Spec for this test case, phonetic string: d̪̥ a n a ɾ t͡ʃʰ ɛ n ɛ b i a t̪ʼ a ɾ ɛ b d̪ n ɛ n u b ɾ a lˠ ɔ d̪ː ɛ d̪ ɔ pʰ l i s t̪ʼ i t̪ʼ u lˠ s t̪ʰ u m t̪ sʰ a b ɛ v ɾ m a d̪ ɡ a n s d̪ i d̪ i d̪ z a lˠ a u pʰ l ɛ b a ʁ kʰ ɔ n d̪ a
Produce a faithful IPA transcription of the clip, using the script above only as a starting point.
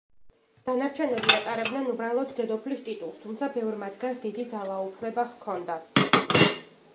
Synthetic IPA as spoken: d̪̥ a n a ɾ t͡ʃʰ ɛ n ɛ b i a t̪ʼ a ɾ ɛ b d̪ n ɛ n u b ɾ a lˠ ɔ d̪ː ɛ d̪ ɔ pʰ l i s t̪ʼ i t̪ʼ u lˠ s t̪ʰ u m t̪ sʰ a b ɛ v ɾ m a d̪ ɡ a n s d̪ i d̪ i d̪ z a lˠ a u pʰ l ɛ b a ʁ kʰ ɔ n d̪ a